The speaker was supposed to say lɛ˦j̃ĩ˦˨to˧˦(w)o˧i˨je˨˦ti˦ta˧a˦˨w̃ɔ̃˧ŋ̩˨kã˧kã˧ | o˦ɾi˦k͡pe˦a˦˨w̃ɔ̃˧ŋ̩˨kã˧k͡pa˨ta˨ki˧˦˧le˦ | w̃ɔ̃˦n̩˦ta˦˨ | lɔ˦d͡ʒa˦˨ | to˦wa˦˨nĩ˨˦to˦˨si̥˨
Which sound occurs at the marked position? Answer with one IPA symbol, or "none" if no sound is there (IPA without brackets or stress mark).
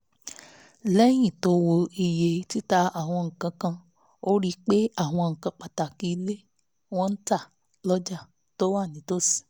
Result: w